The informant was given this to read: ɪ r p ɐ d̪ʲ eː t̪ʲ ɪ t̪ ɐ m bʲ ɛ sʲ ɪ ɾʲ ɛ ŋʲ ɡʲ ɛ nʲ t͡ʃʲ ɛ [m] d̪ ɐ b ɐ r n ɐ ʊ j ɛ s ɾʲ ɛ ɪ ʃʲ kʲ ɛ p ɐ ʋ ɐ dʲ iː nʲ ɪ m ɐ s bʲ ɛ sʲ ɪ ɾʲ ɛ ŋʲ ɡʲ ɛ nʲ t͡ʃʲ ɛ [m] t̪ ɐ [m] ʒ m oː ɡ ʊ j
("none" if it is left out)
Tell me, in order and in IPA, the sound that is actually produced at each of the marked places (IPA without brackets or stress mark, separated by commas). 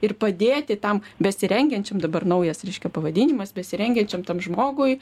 m, m, m